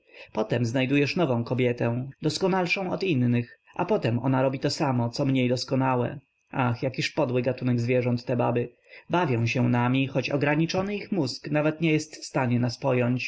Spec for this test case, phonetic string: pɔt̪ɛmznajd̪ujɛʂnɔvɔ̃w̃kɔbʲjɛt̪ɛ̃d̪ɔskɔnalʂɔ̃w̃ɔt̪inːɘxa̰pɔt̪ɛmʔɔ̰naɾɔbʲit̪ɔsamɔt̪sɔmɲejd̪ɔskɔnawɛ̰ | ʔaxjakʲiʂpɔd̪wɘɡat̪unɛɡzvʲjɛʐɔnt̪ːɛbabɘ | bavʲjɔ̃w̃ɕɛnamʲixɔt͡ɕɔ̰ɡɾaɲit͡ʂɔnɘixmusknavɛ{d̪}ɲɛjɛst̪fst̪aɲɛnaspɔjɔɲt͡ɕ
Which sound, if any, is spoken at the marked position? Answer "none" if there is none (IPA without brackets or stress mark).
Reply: t̪